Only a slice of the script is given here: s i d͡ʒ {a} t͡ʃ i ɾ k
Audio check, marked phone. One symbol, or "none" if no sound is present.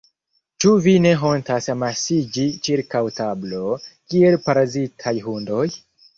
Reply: i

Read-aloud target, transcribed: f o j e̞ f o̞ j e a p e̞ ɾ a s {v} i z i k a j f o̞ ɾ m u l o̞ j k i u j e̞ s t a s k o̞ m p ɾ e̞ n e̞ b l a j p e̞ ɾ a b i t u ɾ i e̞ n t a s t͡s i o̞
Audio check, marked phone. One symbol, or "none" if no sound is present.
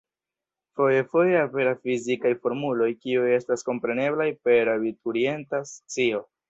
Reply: f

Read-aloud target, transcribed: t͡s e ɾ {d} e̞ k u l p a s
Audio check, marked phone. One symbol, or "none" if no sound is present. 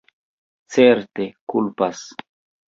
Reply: t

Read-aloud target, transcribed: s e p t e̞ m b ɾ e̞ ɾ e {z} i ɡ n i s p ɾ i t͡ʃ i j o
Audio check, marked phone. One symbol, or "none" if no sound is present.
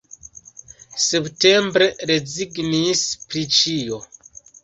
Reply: z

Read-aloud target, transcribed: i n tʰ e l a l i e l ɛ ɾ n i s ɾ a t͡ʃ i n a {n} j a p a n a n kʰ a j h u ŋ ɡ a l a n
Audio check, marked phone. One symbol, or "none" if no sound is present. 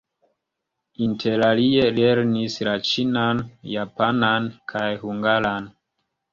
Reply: n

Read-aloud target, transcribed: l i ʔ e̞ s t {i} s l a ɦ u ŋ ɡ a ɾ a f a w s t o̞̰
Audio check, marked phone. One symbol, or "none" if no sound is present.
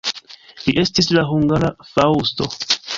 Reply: i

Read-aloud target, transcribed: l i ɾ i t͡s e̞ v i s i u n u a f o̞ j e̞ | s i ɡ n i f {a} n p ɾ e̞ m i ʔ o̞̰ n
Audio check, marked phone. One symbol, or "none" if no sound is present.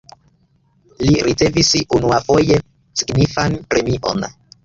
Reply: a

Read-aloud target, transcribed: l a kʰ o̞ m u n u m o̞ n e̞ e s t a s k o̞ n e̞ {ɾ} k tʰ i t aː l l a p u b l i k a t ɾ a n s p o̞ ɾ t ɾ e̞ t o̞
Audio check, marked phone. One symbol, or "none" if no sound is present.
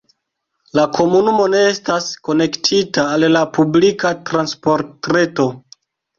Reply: none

